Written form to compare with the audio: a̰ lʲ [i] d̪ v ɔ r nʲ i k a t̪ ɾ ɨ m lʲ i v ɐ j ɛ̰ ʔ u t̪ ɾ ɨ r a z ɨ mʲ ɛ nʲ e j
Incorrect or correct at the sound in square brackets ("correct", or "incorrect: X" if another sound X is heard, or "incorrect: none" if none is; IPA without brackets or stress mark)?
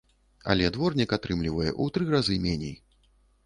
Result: incorrect: ɛ